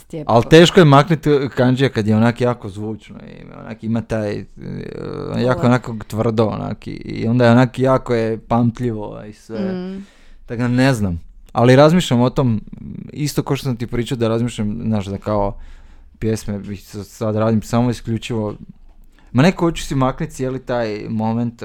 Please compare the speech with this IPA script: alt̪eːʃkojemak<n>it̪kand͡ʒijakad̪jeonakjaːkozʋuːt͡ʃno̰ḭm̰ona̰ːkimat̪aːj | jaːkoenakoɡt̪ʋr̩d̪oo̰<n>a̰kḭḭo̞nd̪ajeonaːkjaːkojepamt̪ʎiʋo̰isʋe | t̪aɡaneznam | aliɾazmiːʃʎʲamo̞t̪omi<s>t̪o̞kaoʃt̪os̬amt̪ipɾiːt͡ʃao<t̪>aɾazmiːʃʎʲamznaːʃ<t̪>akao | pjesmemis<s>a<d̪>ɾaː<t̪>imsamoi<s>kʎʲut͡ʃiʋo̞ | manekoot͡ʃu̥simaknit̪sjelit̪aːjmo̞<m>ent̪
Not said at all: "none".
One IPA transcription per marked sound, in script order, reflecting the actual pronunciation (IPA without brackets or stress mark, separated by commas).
n, n, s, d̪, d̪, s, d̪, d̪, s, m